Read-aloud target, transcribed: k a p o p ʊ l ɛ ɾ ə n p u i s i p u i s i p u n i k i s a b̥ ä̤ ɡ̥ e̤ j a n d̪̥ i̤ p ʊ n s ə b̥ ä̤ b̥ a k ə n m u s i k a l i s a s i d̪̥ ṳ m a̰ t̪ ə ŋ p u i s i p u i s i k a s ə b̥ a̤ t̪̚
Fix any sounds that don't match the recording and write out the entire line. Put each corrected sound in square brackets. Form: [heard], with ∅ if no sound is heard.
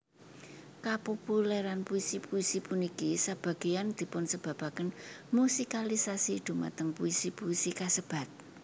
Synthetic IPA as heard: k a p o p [u] l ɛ ɾ [a] n p u i s i p u i s i p u n i k i s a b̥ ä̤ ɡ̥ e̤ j a n d̪̥ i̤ p ʊ n s ə b̥ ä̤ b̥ a k ə n m u s i k a l i s a s i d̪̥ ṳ m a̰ t̪ ə ŋ p u i s i p u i s i k a s ə b̥ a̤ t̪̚